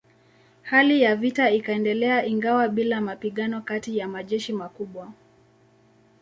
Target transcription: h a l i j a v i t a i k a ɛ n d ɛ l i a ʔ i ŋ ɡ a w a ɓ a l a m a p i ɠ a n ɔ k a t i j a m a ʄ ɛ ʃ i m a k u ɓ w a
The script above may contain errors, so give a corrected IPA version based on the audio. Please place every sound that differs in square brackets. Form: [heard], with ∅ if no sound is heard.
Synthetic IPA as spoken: h a l i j a v i t a i k a ɛ n d ɛ l [ɛ] a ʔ i ŋ ɡ a w a ɓ [i] l a m a p i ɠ a n ɔ k a t i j a m a ʄ ɛ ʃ i m a k u ɓ w a